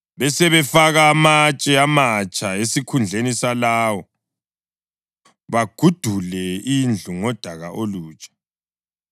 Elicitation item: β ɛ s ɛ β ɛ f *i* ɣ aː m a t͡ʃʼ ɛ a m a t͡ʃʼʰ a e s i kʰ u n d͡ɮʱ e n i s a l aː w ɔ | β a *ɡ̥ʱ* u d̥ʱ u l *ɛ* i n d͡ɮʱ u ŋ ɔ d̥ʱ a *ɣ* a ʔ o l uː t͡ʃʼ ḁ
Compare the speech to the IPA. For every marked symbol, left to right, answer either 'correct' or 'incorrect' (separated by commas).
incorrect, correct, correct, correct